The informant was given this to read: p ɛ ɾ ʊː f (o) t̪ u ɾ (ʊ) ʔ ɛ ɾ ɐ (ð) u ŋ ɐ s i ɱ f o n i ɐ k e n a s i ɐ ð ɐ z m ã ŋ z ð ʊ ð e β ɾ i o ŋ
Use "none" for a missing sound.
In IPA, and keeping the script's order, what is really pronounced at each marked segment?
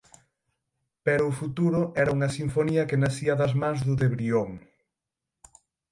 u, ʊ, none

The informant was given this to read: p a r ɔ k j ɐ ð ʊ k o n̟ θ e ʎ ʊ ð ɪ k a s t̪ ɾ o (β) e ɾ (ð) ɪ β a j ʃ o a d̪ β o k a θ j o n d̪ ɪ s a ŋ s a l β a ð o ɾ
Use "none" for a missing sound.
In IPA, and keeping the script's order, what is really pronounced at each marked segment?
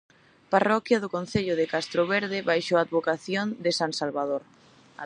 β, ð

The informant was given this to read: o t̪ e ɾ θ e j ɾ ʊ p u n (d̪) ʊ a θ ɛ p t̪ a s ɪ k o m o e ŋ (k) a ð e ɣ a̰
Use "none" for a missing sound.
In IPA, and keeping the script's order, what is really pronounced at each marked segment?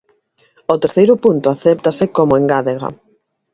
t̪, ɡ

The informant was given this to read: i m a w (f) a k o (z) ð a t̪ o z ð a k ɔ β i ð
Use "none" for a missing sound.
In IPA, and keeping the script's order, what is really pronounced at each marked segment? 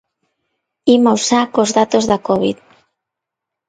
s, z

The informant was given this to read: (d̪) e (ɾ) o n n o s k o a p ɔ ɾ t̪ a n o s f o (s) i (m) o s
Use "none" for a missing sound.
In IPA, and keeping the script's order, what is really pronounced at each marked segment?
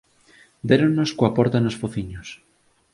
d̪, ɾ, θ, ɲ

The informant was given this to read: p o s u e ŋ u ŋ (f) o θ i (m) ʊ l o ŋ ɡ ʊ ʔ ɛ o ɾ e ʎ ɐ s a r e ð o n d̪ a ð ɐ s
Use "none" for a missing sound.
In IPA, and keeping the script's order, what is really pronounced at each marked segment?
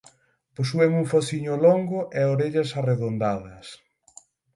f, ɲ

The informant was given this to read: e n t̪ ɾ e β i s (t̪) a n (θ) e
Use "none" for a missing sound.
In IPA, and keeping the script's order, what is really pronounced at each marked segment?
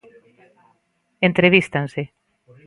t̪, s

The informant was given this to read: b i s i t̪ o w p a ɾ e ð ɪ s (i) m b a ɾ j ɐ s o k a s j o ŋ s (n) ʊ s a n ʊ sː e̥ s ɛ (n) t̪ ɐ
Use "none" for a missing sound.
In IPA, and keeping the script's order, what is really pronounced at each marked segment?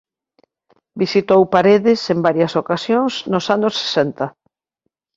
e, n, n

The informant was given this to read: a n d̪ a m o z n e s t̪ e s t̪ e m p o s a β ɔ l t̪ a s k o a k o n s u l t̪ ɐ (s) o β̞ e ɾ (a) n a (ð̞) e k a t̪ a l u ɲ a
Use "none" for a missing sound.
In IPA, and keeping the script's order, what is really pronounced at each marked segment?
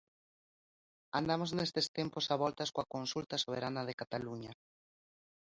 s, a, ð̞

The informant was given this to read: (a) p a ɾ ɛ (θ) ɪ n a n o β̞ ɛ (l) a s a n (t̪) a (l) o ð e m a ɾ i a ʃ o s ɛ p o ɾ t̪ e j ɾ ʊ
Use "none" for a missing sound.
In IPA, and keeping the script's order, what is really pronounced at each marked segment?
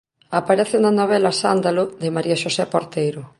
a, θ, l, d̪, l

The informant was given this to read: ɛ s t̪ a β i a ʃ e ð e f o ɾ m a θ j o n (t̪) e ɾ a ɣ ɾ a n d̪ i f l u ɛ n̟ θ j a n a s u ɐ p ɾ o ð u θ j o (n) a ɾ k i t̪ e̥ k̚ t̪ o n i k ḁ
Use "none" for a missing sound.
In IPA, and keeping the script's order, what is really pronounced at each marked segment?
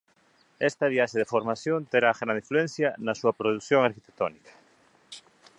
t̪, ŋ

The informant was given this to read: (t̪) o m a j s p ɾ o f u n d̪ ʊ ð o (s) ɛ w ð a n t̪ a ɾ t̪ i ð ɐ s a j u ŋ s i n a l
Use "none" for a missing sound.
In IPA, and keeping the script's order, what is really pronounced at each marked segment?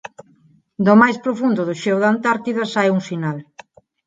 d̪, ʃ

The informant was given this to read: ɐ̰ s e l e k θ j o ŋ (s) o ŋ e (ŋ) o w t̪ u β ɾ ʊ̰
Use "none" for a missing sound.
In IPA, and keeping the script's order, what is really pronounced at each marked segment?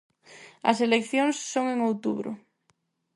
sː, ŋ

